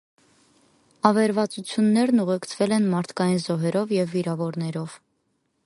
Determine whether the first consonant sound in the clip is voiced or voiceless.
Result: voiced